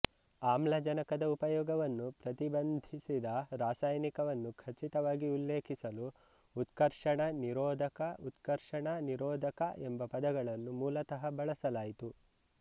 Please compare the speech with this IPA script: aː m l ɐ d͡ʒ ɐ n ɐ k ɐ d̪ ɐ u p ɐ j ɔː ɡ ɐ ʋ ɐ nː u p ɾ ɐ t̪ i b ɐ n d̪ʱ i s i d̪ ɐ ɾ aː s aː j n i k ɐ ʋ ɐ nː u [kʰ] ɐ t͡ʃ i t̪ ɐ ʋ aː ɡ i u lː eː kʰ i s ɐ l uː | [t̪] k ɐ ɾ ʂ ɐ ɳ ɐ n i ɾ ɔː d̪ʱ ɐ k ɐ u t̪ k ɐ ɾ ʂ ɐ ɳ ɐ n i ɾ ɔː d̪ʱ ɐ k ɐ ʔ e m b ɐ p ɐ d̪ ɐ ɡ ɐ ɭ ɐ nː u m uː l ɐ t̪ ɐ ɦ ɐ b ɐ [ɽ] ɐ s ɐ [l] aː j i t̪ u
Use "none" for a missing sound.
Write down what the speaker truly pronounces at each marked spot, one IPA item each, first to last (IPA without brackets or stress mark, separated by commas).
kʰ, t̪, ɭ, l